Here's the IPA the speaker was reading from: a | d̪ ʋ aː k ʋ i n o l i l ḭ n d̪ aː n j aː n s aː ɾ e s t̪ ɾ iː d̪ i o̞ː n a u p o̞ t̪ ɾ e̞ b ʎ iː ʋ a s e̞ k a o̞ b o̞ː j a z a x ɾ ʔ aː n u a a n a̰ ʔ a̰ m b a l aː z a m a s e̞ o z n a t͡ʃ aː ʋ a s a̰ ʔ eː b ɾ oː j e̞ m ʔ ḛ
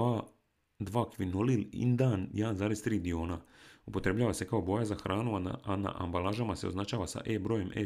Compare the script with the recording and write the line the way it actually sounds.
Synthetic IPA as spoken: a | d̪ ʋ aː k ʋ i n o l i l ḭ n d̪ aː n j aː n z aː ɾ e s t̪ ɾ iː d̪ i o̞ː n a u p o̞ t̪ ɾ e̞ b ʎ aː ʋ a s e̞ k a o̞ b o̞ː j a z a x ɾ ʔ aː n u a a n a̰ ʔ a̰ m b a l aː ʒ a m a s e̞ o z n a t͡ʃ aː ʋ a s a̰ ʔ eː b ɾ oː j e̞ m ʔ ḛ